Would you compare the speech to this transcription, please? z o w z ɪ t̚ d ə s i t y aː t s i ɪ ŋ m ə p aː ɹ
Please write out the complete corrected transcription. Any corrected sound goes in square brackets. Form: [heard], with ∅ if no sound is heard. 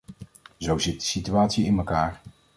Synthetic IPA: z o w z ɪ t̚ d ə s i t y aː t s i ɪ [n] m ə [k] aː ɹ

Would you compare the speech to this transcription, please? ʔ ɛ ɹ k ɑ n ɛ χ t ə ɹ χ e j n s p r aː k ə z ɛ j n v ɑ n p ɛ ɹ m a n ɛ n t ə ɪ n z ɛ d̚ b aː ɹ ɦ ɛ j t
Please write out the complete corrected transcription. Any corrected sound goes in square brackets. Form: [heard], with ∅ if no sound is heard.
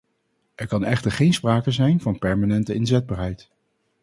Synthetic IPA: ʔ ɛ ɹ k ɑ n ɛ χ t ə ɹ χ e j n s p r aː k ə z ɛ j n v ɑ n p ɛ ɹ m a n ɛ n t ə ɪ n z ɛ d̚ b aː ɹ ɦ ɛ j t

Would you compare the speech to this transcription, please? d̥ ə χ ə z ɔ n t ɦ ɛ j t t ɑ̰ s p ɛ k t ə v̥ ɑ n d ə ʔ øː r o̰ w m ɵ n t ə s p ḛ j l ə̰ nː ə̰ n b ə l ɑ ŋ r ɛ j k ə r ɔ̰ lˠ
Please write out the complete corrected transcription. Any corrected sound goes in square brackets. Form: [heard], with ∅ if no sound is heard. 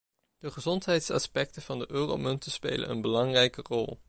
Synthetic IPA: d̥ ə χ ə z ɔ n t ɦ ɛ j t [s] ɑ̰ s p ɛ k t ə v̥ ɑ n d ə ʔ øː r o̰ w m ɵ n t ə s p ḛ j l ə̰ [n] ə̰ n b ə l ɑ ŋ r ɛ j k ə r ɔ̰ lˠ

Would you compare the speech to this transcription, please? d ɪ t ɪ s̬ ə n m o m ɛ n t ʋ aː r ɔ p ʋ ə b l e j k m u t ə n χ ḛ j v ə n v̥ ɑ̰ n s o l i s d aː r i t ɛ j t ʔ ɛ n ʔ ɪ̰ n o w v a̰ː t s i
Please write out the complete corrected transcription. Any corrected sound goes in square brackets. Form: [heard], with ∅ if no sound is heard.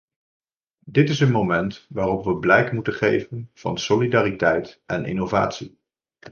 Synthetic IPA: d ɪ t ɪ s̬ ə n m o m ɛ n t ʋ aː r ɔ p ʋ ə b l [ɛ] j k m u t ə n χ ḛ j v ə n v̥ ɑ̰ n s o l i [∅] d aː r i t ɛ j t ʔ ɛ n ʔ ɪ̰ n o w v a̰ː t s i

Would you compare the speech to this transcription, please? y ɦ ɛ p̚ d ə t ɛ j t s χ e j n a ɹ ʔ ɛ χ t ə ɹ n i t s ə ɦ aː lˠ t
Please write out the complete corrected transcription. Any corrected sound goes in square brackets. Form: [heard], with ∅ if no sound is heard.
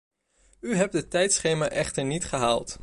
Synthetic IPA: y ɦ ɛ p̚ d ə t ɛ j t s χ e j [m] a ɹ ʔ ɛ χ t ə ɹ n i t [χ] ə ɦ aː lˠ t

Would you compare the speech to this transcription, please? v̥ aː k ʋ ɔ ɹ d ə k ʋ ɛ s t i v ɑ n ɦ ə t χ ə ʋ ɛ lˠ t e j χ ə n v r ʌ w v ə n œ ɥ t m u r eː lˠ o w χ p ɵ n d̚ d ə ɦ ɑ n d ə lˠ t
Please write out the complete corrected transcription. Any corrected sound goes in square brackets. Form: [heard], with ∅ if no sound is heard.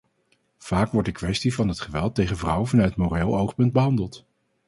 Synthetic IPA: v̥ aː k ʋ ɔ ɹ d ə k ʋ ɛ s t i v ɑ n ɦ ə t χ ə ʋ ɛ lˠ t e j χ ə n v r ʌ w v [ɑ] n œ ɥ t m [o] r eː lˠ o w χ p ɵ n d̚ [b] ə ɦ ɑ n d ə lˠ t

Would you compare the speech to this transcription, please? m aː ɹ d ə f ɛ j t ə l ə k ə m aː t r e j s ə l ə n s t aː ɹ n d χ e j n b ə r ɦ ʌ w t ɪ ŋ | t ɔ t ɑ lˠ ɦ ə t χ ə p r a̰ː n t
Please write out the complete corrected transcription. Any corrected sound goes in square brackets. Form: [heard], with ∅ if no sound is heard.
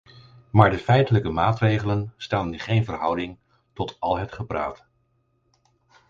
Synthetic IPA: m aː ɹ d ə f ɛ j t ə l ə k ə m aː t r e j [χ] ə l ə n s t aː [∅] n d χ e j n [v] ə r ɦ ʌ w [d] ɪ ŋ | t ɔ t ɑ lˠ ɦ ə t χ ə p r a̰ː [∅] t

